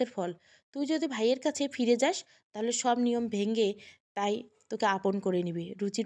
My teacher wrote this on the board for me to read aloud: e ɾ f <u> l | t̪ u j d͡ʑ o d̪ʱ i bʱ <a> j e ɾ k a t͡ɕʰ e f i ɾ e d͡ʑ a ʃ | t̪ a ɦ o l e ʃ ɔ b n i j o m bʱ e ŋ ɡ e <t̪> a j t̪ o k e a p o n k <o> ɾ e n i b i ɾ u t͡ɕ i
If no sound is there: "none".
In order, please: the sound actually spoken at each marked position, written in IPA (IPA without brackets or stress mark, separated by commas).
ɔ, a, t̪, o